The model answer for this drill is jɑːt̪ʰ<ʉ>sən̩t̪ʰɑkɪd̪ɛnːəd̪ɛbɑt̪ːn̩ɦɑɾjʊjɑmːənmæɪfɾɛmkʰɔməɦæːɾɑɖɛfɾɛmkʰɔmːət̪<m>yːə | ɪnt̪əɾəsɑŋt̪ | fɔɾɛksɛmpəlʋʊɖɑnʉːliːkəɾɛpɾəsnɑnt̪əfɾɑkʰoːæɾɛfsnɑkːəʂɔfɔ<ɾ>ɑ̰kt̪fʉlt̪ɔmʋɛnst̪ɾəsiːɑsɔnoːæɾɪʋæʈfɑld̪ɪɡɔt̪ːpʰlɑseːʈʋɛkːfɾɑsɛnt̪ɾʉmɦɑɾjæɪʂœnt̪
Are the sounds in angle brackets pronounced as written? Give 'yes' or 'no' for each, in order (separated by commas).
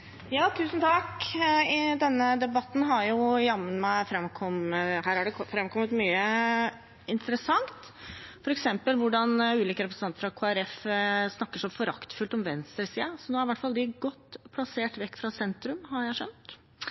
no, yes, yes